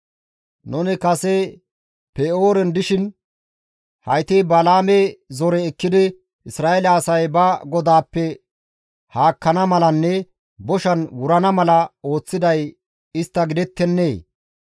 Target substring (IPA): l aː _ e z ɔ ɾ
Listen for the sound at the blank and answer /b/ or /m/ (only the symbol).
m